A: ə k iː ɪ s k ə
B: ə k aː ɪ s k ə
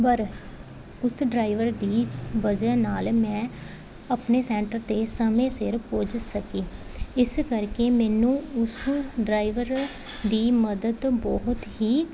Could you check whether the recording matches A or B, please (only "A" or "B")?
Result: A